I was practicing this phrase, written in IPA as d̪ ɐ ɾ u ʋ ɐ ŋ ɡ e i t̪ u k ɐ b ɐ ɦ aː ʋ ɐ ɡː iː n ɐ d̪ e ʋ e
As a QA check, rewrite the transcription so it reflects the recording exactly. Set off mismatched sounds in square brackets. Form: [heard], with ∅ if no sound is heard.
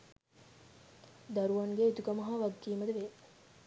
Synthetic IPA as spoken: d̪ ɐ ɾ u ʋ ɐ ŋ ɡ e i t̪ u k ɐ [m] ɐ ɦ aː ʋ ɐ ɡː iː [m] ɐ d̪ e ʋ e